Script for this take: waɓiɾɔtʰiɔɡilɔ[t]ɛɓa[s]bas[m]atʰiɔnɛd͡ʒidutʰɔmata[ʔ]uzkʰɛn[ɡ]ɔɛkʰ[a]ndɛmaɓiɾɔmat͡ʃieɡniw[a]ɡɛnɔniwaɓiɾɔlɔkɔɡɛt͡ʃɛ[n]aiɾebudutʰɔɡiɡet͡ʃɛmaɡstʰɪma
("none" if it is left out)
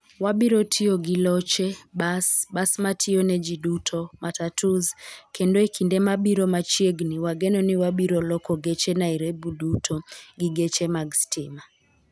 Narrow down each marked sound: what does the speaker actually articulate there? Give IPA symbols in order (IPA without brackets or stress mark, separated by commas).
t͡ʃ, s, m, t, d, i, a, n